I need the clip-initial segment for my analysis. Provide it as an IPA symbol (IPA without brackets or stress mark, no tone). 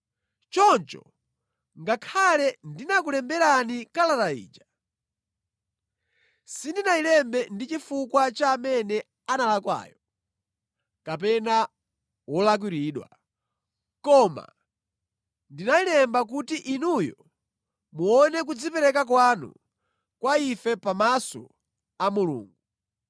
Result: t͡ʃ